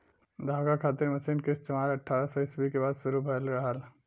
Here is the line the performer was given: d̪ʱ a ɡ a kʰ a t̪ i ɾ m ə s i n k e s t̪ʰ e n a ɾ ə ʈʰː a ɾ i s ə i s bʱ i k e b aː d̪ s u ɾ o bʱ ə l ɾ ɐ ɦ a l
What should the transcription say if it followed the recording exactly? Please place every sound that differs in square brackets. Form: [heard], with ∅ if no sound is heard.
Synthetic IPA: d̪ʱ a ɡ a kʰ a t̪ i ɾ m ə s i n k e s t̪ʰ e [m] a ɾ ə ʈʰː a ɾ [a] s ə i s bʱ i k e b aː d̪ s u ɾ [u] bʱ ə l ɾ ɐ ɦ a l